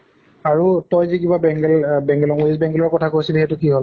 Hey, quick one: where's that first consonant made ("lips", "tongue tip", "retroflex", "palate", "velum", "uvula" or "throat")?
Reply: tongue tip